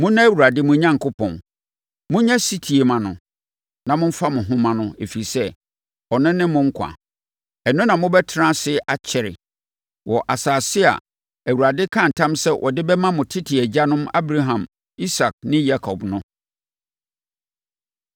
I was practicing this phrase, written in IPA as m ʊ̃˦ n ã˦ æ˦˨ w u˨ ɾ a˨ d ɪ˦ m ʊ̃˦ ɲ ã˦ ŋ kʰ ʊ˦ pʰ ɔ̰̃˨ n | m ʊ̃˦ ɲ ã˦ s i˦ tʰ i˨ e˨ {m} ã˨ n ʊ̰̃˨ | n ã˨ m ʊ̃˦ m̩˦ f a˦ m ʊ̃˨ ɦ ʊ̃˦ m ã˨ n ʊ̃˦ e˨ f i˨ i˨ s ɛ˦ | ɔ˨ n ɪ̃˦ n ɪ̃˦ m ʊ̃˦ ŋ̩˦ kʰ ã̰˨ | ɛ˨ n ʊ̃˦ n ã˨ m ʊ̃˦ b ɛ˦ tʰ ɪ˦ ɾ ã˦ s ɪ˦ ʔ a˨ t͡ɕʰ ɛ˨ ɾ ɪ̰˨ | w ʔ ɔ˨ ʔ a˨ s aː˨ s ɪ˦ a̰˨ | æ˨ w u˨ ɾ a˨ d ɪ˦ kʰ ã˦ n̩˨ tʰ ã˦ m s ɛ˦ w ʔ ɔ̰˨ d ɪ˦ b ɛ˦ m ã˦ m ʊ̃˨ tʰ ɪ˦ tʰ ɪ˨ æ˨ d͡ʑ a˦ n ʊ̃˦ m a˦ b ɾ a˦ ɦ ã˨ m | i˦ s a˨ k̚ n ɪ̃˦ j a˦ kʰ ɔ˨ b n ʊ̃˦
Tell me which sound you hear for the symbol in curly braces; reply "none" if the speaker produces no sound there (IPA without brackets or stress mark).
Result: m